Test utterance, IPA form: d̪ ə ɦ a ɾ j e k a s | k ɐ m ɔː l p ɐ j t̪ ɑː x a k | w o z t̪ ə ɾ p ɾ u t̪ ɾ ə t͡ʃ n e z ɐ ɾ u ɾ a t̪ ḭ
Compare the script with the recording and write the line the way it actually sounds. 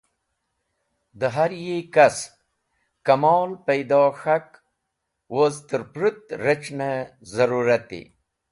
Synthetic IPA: d̪ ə ɦ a ɾ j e k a s | k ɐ m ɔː l p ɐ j d̪ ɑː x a k | w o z t̪ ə ɾ p ɾ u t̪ ɾ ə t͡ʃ n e z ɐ ɾ u ɾ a t̪ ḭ